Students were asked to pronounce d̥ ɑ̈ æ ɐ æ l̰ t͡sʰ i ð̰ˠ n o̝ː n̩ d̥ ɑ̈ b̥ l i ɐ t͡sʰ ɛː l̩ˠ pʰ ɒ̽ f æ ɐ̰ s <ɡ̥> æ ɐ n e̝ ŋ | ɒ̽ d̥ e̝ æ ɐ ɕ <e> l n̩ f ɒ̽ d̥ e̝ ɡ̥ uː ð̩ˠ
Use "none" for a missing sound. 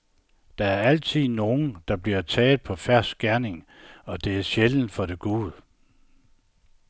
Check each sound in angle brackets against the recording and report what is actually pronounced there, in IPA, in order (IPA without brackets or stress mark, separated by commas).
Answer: ɡ̥, e